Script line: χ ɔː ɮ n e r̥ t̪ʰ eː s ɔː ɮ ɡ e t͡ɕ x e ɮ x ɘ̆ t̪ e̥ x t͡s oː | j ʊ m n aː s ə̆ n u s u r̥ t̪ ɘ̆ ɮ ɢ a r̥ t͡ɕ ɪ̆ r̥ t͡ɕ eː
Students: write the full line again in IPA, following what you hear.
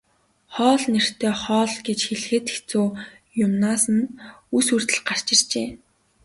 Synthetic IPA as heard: χ ɔː ɮ n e r̥ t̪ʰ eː χ ɔː ɮ ɡ e t͡ɕ x e ɮ x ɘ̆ t̪ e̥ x t͡s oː | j ʊ m n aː s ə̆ n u s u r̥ t̪ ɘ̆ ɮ ɢ a r̥ t͡ɕ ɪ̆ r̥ t͡ɕ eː